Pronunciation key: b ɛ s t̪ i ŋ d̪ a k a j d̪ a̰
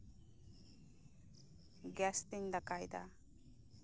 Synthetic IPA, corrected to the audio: ɡ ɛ s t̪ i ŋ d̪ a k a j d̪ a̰